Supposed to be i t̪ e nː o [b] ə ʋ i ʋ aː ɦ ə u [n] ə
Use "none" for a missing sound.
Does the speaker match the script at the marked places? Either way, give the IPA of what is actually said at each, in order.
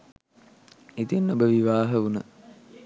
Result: b, n

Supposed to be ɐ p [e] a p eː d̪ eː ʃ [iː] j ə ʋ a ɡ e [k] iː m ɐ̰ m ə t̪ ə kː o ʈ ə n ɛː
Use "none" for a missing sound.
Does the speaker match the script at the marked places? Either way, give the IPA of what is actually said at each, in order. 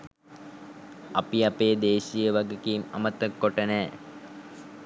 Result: i, i, k

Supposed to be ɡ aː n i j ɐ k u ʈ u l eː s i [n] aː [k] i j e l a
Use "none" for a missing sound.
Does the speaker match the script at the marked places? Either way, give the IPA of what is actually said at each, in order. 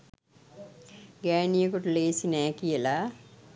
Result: n, k

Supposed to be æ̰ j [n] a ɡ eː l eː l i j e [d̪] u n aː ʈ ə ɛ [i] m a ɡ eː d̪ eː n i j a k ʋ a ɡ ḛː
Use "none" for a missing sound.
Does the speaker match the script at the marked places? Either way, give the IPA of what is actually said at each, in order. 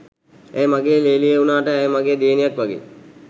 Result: m, none, j

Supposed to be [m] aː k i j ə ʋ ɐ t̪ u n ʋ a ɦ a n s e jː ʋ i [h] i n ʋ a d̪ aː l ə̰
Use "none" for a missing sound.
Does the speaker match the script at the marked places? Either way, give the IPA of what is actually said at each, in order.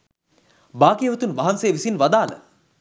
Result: b, s

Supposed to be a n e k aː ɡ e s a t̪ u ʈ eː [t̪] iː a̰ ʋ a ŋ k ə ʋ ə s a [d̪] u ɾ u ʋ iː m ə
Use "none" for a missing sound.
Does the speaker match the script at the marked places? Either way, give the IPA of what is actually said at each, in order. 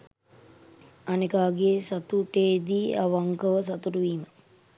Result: d̪, t̪

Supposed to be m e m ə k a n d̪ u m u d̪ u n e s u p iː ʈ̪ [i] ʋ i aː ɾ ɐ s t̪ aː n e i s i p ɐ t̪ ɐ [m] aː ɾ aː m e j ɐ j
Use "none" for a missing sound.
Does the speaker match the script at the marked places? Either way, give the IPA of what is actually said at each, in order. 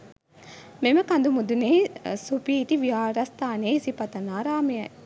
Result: i, n

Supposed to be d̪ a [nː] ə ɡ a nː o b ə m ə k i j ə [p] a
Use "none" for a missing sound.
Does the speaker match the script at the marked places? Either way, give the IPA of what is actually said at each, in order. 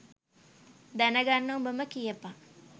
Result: n, p

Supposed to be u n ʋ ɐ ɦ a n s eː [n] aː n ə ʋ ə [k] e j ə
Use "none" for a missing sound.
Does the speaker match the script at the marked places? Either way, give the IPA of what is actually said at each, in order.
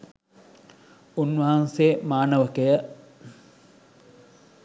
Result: m, k

